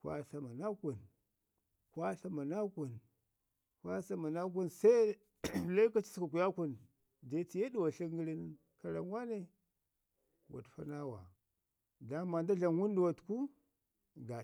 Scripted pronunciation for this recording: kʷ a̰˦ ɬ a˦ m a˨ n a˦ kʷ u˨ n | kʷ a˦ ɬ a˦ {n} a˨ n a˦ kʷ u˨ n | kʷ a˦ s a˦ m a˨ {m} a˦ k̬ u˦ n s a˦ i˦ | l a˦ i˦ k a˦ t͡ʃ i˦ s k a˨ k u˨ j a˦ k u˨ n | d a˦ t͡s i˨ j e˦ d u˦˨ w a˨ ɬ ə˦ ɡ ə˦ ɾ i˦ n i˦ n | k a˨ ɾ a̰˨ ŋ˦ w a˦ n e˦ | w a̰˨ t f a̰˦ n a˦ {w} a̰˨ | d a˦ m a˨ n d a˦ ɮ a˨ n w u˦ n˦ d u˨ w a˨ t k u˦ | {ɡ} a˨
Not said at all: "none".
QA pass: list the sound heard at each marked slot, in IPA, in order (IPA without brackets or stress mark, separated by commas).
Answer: m, n, w, ɡ